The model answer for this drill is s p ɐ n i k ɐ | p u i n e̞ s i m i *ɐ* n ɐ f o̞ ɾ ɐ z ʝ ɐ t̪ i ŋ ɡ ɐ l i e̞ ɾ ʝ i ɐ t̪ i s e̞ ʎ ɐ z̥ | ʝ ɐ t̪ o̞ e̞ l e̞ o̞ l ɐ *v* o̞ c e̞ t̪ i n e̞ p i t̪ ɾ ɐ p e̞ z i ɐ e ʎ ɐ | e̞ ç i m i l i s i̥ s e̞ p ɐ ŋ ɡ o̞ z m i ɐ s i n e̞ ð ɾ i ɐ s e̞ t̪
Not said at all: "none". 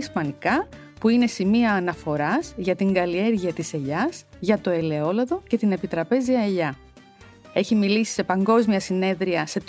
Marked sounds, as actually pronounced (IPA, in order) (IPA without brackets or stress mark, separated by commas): ɐː, ð